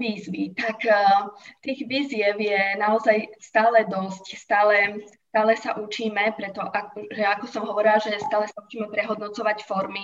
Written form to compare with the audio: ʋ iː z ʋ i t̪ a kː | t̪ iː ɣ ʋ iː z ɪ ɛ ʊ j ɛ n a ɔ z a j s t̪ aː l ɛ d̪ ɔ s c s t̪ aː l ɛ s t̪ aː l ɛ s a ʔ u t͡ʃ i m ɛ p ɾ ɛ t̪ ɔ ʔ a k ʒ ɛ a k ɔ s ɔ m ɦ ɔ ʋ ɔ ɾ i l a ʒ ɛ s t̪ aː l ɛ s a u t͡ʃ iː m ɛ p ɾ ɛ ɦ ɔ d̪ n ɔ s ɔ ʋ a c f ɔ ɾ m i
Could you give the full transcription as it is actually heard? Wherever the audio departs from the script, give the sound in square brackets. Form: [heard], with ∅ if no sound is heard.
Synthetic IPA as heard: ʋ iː z ʋ i t̪ a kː | t̪ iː ɣ ʋ iː z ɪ ɛ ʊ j ɛ n a ɔ z a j s t̪ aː l ɛ d̪ ɔ s c s t̪ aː l ɛ s t̪ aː l ɛ s a ʔ u t͡ʃ [iː] m ɛ p ɾ ɛ t̪ ɔ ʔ a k ʒ ɛ a k ɔ s ɔ m ɦ ɔ ʋ ɔ ɾ i l a ʒ ɛ s t̪ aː l ɛ s a u t͡ʃ iː m ɛ p ɾ ɛ ɦ ɔ d̪ n ɔ [t͡s] ɔ ʋ a c f ɔ ɾ m i